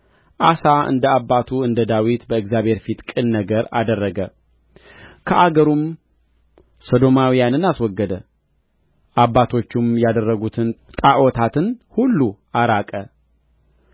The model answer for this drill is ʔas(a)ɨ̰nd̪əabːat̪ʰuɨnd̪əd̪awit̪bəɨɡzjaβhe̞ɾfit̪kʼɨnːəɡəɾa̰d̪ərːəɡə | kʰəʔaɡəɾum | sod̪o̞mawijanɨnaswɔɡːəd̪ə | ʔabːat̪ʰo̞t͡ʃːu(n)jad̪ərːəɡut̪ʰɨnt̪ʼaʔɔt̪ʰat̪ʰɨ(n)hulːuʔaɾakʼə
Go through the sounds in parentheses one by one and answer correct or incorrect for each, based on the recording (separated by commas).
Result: correct, incorrect, correct